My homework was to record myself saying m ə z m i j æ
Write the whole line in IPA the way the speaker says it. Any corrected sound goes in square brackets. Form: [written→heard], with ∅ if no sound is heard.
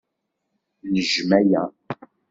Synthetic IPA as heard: [m→n] ə [z→ʒ] m [i→æ] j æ